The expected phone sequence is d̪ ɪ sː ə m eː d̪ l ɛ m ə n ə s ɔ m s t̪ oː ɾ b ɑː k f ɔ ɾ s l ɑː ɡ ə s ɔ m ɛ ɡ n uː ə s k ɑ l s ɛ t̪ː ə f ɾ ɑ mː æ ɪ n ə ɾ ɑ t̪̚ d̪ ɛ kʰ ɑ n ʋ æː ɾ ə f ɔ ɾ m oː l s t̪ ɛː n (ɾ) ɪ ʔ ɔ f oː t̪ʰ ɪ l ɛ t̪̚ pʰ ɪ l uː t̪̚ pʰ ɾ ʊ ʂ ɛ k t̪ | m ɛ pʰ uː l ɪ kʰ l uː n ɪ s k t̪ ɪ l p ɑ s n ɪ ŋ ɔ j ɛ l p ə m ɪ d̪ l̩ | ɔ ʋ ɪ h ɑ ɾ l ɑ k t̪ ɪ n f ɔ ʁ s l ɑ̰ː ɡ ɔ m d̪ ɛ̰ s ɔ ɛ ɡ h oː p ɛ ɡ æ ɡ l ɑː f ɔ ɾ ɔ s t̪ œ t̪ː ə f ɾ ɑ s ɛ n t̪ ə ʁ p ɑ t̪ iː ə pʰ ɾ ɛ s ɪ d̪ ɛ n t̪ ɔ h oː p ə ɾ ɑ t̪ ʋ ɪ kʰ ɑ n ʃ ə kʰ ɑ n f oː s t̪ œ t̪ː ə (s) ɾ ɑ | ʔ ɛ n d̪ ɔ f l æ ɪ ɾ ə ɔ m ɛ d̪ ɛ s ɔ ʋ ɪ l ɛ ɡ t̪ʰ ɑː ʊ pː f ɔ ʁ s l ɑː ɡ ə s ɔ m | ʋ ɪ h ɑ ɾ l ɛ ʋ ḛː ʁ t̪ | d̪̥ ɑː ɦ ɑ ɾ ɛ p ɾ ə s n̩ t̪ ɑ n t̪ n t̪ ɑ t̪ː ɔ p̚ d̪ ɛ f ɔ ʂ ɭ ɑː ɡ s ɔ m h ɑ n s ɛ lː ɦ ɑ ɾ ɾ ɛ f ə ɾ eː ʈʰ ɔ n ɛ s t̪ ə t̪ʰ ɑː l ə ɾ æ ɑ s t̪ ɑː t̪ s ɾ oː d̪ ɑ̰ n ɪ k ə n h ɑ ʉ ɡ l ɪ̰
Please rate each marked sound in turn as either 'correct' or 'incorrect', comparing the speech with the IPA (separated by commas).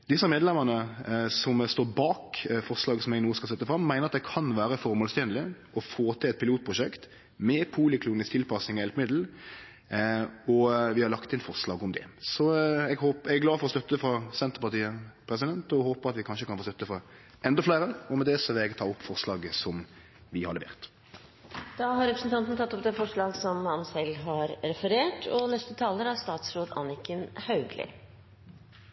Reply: incorrect, incorrect